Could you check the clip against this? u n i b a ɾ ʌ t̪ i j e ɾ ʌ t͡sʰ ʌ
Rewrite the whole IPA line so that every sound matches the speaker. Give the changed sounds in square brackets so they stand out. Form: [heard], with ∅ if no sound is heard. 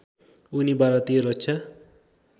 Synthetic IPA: u n i b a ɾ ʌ t̪ i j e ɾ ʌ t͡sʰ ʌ

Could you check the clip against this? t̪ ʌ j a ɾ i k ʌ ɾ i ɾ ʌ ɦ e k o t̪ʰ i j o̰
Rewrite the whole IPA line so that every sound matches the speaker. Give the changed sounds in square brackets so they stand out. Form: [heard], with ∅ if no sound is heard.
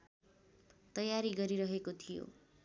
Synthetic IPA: t̪ ʌ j a ɾ i [ɡ] ʌ ɾ i ɾ ʌ ɦ e k o t̪ʰ i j o̰

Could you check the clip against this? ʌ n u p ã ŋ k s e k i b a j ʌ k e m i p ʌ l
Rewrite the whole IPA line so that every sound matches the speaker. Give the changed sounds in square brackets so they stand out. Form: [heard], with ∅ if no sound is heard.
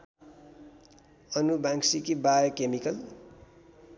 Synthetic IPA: ʌ n u [b] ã ŋ k s [i] k i b a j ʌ k e m i [k] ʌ l

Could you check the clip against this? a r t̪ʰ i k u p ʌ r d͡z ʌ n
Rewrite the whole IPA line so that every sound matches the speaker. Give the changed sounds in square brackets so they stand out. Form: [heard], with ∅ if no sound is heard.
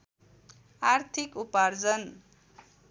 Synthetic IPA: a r t̪ʰ i k u p [a] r d͡z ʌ n

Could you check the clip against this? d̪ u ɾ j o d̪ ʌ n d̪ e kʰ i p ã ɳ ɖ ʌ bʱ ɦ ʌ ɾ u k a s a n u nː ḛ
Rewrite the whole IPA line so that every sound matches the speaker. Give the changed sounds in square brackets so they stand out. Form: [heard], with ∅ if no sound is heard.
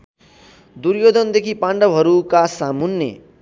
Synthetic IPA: d̪ u ɾ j o d̪ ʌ n d̪ e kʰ i p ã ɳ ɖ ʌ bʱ ɦ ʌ ɾ u k a s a [m] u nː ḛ

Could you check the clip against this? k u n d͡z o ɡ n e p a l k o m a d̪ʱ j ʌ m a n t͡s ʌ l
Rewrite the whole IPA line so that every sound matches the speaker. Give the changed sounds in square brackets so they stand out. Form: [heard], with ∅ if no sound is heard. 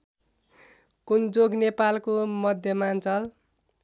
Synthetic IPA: k u n d͡z o ɡ n e p a l k o m [ʌ] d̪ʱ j ʌ m a n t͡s ʌ l

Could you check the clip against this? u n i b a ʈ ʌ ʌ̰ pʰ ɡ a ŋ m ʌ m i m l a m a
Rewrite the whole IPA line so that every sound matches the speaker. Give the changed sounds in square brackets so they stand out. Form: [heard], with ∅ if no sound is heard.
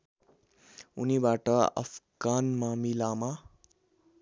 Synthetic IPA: u n i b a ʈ ʌ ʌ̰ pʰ ɡ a [n] m [a] m i [∅] l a m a

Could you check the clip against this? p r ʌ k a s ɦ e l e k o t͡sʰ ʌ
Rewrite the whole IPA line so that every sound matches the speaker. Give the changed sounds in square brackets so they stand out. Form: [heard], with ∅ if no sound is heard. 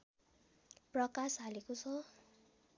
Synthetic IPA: p r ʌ k a s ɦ [a] l e k o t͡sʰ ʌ

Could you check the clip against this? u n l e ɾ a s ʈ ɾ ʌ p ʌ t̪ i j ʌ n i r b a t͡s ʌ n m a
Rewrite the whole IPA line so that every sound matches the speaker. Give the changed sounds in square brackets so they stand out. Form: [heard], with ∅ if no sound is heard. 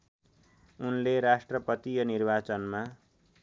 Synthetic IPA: u n l e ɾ a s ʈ [r] ʌ p ʌ t̪ i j ʌ n i r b a t͡s ʌ n m a

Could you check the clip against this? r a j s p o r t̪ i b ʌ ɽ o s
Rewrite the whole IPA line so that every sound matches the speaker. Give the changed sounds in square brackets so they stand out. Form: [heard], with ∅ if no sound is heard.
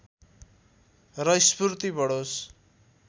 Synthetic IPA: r [ʌ] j s p [u] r t̪ i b ʌ ɽ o s

